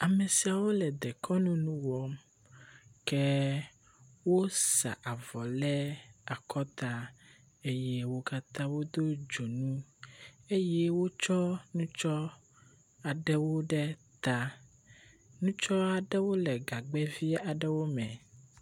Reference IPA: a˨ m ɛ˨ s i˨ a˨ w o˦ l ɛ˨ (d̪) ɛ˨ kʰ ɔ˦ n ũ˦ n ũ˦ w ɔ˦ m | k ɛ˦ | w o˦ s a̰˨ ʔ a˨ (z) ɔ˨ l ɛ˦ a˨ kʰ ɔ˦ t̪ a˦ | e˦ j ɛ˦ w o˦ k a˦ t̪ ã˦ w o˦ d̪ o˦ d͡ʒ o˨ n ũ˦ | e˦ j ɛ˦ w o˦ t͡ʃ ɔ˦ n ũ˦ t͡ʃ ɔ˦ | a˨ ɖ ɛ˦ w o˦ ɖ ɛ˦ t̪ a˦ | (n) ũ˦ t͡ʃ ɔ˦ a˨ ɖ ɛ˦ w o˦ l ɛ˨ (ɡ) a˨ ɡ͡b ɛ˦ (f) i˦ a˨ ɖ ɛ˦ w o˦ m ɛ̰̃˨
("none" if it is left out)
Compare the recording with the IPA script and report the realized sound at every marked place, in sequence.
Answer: d̪, v, n, ɡ, v

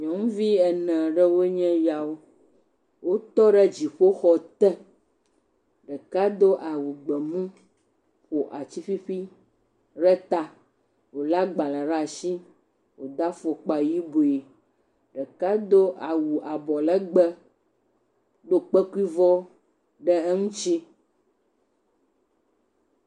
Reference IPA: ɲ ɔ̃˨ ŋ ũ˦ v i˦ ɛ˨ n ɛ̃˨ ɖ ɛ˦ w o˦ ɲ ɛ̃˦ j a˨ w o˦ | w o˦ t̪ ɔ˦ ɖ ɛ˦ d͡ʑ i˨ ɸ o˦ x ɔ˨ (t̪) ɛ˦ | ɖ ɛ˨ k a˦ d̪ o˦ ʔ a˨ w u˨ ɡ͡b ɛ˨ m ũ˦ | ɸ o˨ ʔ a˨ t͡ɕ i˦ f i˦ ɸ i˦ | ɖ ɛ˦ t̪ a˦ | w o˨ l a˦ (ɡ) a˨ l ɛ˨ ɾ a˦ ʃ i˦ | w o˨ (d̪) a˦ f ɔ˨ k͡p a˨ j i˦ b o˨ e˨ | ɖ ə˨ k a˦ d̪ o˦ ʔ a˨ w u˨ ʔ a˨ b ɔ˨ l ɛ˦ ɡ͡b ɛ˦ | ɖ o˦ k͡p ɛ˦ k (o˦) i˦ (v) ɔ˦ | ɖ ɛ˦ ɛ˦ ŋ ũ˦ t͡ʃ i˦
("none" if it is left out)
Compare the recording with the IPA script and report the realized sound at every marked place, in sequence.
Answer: t̪, ɡ͡b, d̪, u˦, v

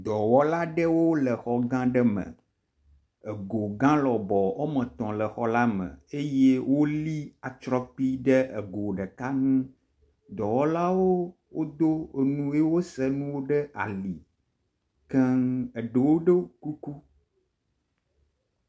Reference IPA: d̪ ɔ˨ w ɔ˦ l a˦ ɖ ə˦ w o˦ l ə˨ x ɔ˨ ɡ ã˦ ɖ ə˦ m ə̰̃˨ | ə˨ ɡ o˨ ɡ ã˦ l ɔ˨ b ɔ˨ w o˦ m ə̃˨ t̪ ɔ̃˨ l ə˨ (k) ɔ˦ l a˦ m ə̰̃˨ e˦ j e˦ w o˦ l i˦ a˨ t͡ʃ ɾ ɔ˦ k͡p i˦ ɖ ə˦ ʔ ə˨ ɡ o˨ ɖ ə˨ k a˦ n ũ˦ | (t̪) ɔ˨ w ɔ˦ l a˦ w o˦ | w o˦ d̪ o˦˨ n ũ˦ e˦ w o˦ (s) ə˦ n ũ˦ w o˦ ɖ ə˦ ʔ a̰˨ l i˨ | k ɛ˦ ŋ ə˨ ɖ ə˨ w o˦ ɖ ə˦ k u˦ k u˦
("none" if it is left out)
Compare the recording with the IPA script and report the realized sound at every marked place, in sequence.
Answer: x, d̪, s

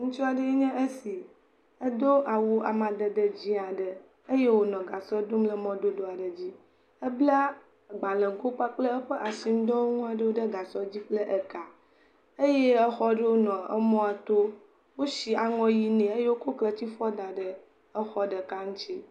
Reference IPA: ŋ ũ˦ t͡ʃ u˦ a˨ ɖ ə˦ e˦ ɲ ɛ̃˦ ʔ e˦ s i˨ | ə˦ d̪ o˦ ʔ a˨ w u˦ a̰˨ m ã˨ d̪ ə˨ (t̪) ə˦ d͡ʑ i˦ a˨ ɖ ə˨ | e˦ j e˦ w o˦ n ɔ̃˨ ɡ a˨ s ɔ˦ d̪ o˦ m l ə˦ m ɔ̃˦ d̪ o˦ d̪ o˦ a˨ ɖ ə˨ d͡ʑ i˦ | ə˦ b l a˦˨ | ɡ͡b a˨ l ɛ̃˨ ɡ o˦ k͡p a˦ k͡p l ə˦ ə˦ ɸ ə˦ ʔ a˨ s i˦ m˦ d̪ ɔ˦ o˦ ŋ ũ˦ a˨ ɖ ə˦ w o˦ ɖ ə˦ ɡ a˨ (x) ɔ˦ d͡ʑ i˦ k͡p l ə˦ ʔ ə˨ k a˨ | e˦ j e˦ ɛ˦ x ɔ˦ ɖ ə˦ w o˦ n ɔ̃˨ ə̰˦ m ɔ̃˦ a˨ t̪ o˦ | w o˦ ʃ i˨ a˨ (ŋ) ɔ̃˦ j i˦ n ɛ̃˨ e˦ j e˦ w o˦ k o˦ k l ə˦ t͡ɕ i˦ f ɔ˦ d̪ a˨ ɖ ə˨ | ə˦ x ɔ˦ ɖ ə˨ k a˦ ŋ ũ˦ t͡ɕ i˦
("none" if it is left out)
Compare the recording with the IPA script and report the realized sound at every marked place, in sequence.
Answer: d̪, s, ŋ

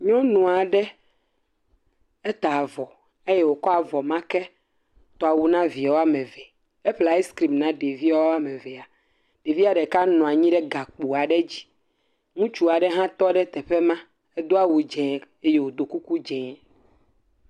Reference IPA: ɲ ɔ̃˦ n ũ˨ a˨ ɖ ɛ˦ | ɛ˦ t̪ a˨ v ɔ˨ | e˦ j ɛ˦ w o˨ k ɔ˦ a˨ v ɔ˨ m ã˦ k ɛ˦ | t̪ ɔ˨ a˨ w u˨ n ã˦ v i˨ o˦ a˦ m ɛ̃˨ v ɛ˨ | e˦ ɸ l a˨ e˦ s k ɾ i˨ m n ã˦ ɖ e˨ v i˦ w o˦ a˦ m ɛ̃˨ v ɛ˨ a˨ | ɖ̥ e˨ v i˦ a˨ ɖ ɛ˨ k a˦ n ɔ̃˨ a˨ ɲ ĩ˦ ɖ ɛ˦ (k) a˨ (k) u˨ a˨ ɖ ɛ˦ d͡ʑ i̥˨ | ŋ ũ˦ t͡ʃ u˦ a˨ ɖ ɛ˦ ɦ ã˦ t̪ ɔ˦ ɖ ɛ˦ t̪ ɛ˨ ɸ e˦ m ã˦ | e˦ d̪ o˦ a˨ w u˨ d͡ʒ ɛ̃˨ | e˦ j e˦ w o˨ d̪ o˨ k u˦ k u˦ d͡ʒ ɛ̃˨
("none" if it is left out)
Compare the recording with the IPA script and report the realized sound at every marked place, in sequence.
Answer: ɡ, k͡p

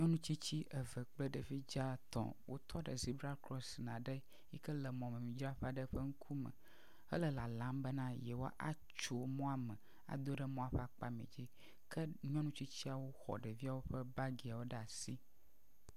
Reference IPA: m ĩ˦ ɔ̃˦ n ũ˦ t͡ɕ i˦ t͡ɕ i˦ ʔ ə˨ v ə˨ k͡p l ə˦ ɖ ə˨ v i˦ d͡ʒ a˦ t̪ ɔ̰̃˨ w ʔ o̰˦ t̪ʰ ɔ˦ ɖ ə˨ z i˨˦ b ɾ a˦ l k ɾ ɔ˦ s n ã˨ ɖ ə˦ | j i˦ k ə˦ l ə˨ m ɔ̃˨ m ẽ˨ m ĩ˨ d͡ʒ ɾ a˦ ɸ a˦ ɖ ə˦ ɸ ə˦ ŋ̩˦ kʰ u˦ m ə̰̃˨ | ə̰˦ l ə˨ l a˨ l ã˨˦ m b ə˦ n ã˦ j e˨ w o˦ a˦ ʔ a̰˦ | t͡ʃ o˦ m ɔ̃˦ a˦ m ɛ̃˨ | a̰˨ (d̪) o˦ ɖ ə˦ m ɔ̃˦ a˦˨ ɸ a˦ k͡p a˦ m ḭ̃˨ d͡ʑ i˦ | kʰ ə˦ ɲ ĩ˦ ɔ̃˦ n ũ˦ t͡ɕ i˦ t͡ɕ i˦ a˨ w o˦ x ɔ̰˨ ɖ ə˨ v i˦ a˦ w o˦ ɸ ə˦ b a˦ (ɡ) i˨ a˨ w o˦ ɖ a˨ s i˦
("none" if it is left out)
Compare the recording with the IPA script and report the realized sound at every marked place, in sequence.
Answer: d̪, ɡ

